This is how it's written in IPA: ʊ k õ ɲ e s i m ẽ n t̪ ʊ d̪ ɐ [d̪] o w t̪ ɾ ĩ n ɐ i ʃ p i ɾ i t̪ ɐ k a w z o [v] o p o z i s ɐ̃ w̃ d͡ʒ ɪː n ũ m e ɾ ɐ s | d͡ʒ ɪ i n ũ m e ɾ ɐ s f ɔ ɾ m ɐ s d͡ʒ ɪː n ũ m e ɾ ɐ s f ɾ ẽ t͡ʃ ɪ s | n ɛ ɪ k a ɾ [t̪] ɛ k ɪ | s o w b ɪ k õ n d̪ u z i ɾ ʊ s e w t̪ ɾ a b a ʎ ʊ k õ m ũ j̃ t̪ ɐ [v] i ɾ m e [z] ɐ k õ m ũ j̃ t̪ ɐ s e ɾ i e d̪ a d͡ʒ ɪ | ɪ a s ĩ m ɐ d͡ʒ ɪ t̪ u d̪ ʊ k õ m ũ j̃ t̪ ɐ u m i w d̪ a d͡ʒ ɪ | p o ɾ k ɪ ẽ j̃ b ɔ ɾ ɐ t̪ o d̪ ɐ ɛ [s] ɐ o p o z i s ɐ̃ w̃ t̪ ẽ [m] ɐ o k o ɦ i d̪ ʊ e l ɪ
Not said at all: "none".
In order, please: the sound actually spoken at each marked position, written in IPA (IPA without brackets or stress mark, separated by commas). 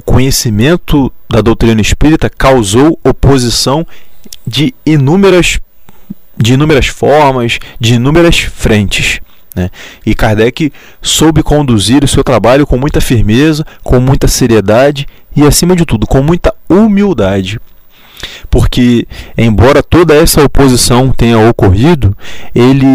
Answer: d̪, w, d̪, f, z, s, ɲ